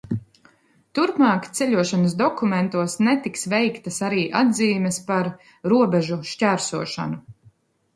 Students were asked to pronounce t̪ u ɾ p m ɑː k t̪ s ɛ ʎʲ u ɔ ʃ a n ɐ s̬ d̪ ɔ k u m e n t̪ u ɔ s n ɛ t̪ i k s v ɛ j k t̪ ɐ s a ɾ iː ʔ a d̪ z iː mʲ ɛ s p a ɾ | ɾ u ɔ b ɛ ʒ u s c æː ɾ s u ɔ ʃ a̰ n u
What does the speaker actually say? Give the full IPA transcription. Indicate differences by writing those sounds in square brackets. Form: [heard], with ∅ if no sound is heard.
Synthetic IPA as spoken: t̪ u ɾ p m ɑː k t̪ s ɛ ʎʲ u ɔ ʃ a n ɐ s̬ d̪ ɔ k u m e n t̪ u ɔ s n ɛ t̪ i k s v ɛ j k t̪ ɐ s a ɾ iː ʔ a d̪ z iː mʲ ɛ s p a ɾ | ɾ u ɔ b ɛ ʒ u [ʃ] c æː ɾ s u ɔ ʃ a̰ n u